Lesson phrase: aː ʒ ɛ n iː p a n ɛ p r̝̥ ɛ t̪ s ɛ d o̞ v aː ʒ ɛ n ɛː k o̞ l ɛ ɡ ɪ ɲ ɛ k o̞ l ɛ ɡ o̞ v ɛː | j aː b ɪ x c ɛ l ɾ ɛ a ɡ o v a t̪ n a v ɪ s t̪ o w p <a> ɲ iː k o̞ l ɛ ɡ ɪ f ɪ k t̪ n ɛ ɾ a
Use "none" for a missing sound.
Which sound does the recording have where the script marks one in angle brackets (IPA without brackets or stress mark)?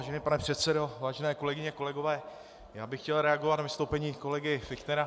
ɛ